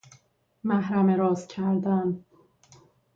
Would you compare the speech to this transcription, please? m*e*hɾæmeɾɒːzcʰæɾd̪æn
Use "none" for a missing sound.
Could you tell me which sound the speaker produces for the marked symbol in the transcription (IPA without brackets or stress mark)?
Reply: æ